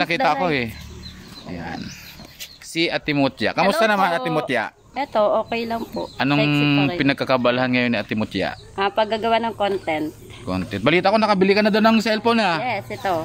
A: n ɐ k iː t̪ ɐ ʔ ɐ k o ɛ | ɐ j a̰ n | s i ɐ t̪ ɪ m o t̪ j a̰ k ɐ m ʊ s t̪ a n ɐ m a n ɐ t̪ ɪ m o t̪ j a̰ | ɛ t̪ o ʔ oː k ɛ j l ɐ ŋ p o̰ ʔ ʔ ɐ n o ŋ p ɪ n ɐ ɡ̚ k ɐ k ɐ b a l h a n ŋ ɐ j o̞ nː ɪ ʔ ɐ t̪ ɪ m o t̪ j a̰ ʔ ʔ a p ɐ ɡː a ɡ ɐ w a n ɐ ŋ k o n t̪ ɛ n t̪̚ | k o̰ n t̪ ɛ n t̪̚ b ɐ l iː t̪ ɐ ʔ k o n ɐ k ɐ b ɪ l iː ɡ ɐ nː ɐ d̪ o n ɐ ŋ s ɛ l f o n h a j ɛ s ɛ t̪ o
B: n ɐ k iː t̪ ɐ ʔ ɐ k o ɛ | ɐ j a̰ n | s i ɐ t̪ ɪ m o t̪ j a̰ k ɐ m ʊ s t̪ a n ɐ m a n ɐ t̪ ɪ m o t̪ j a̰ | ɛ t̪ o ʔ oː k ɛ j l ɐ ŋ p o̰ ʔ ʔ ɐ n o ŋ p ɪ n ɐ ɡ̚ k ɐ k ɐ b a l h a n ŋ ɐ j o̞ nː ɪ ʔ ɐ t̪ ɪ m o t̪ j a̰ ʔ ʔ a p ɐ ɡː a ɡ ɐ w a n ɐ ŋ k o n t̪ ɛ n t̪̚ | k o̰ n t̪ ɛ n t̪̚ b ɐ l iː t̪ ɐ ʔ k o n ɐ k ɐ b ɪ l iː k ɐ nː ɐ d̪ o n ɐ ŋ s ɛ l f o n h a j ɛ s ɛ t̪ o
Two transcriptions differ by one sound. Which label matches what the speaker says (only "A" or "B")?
B